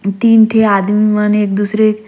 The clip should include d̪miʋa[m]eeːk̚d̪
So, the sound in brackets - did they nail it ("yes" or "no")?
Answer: no